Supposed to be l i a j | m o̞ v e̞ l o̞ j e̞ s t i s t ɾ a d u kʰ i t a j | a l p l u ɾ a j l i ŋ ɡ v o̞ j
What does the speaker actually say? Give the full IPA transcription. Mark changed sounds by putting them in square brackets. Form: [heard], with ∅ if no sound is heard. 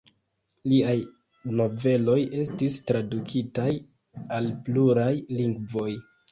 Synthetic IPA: l i a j | [n] o̞ v e̞ l o̞ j e̞ s t i s t ɾ a d u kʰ i t a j | a l p l u ɾ a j l i ŋ ɡ v o̞ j